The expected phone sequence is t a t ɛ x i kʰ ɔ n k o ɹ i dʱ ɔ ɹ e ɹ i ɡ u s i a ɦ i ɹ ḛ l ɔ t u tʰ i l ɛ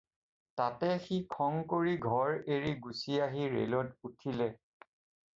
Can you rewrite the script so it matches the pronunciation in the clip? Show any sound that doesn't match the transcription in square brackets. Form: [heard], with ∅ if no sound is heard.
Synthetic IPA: t a t ɛ x i kʰ ɔ [ŋ] k o ɹ i [ɡʱ] ɔ ɹ e ɹ i ɡ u s i a ɦ i ɹ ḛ l ɔ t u tʰ i l ɛ